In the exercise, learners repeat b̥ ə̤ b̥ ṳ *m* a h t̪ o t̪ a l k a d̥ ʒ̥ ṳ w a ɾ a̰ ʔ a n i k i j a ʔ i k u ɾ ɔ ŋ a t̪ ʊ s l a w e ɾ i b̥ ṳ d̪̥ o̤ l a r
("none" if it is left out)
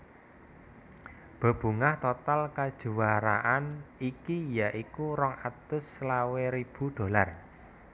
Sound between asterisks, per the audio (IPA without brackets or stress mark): ŋ